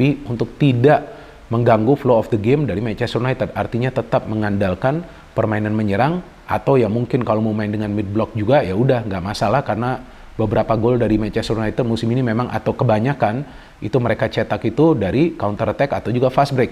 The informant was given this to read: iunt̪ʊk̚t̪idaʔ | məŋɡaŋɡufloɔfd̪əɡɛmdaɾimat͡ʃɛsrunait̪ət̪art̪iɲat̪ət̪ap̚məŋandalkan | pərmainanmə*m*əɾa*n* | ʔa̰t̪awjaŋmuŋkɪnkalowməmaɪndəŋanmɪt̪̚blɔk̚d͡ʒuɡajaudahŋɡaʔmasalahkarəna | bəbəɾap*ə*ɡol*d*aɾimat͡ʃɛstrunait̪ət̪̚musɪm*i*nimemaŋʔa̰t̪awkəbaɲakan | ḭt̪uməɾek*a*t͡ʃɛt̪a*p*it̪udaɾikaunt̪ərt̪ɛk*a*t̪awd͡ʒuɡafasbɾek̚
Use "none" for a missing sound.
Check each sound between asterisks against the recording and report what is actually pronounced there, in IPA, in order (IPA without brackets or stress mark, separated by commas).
ɲ, ŋ, a, d, i, a, k, a